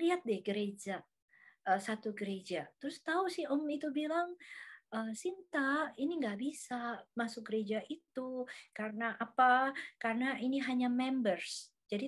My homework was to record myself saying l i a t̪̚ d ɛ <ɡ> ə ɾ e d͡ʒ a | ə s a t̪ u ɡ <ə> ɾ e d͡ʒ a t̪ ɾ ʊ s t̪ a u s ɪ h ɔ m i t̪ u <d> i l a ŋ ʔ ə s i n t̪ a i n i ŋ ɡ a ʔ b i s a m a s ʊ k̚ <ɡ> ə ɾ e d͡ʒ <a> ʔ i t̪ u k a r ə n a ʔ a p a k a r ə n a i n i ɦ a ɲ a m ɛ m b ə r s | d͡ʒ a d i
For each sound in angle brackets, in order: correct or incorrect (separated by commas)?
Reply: correct, correct, incorrect, correct, correct